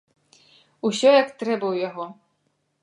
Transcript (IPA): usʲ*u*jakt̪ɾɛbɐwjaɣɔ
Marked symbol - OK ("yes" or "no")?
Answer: no